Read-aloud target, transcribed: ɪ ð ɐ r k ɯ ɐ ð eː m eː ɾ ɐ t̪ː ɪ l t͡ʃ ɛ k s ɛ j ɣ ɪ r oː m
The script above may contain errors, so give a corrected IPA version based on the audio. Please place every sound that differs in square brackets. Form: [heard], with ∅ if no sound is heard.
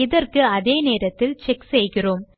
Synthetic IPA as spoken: ɪ ð ɐ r k ɯ ɐ ð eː [n] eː ɾ ɐ t̪ː ɪ l t͡ʃ ɛ k s ɛ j ɣ ɪ r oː m